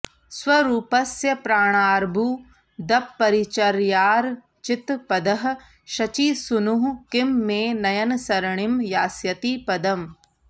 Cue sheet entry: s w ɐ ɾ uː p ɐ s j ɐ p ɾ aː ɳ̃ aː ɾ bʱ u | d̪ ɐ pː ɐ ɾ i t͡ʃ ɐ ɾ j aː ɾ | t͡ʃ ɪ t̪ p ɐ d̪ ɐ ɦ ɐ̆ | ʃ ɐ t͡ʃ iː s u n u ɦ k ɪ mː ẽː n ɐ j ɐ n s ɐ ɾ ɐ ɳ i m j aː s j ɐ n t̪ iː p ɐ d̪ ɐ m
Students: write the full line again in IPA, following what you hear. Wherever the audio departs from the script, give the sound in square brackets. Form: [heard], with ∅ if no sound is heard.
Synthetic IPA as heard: s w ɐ ɾ uː p ɐ s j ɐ p ɾ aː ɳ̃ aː ɾ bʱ u | d̪ ɐ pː ɐ ɾ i t͡ʃ ɐ ɾ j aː ɾ | t͡ʃ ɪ t̪ p ɐ d̪ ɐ ɦ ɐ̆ | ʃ ɐ t͡ʃ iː s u n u ɦ k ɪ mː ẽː n ɐ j ɐ n s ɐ ɾ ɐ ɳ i m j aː s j ɐ [∅] t̪ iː p ɐ d̪ ɐ m